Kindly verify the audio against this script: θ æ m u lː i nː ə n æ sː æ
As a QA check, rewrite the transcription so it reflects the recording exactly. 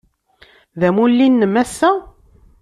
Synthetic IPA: ð æ m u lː i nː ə m æ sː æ